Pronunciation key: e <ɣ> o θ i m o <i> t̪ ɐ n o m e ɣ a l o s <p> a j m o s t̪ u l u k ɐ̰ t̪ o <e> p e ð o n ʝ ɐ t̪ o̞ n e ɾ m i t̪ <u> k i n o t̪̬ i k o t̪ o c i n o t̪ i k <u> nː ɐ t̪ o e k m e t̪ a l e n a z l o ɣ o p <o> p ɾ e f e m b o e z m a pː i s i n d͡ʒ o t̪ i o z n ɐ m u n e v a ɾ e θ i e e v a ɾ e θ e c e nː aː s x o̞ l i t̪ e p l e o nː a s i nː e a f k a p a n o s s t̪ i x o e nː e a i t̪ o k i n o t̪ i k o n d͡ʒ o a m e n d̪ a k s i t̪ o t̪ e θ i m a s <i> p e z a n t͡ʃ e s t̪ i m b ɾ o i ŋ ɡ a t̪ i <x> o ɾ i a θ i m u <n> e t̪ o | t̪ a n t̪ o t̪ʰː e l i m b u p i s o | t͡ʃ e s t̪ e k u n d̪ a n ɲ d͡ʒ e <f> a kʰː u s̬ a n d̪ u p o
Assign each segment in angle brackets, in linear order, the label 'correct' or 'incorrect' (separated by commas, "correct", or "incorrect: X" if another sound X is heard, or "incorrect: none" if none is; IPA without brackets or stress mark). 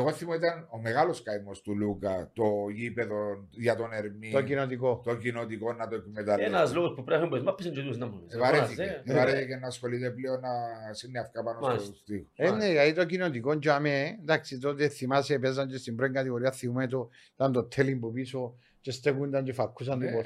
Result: correct, correct, incorrect: k, incorrect: i, incorrect: o, incorrect: o, incorrect: u, incorrect: e, incorrect: ɣ, incorrect: m, correct